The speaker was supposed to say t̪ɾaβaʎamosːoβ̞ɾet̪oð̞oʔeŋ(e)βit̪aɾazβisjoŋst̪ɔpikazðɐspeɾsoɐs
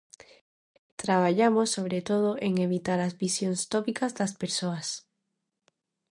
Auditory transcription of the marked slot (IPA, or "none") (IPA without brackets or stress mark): e